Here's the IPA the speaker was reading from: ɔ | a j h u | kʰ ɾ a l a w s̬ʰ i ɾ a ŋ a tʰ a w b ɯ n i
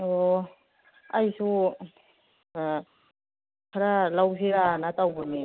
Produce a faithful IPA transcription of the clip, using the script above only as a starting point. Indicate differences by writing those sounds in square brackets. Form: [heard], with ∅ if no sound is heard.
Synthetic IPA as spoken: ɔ | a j [s] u | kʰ ɾ a l a w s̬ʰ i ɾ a [n] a [t] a w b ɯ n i